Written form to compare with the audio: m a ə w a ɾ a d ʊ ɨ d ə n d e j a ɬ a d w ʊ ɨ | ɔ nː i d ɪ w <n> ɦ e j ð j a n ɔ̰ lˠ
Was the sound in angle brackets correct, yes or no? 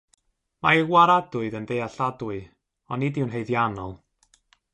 yes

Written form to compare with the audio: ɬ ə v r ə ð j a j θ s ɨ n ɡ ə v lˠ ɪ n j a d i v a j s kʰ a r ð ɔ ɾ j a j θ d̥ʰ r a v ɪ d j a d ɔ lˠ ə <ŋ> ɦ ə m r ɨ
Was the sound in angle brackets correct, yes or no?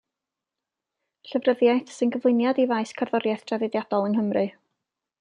no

